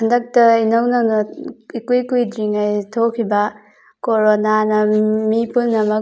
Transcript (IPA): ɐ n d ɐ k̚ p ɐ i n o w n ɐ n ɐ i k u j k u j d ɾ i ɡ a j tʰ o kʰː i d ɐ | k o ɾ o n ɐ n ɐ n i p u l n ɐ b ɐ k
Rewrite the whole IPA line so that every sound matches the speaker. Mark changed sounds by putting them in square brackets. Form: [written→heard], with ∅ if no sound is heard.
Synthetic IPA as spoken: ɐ n d ɐ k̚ [p→t] ɐ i n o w n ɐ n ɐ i k u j k u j d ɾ i [ɡ→ŋ] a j tʰ o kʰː i [d→b] ɐ | k o ɾ o n [ɐ→a] n ɐ [n→m] i p u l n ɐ [b→m] ɐ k